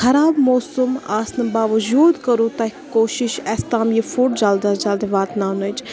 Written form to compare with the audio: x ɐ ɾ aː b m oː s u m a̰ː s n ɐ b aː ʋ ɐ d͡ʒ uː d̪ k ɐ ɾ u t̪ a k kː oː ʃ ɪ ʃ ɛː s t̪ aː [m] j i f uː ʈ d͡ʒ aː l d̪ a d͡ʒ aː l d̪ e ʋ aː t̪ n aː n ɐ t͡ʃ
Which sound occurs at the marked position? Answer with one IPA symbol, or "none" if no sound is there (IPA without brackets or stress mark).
m